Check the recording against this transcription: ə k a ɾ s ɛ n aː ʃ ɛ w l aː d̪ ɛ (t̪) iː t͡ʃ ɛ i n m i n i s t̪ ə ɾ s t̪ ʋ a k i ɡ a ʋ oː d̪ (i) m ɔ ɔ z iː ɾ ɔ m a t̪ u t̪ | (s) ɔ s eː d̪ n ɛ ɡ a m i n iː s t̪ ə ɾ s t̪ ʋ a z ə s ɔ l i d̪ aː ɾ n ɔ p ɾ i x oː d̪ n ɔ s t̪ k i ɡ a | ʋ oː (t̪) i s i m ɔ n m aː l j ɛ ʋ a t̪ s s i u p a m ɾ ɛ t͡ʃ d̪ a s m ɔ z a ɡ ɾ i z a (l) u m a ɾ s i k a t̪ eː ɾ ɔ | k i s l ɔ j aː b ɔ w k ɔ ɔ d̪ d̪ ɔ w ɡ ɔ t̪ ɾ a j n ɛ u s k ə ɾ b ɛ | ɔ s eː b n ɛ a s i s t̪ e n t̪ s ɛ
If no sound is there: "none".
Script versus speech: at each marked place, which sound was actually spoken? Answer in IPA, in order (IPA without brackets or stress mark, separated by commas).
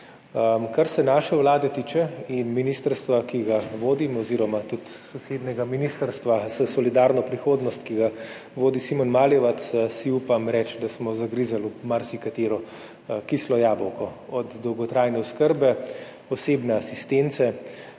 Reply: t̪, i, s, d̪, l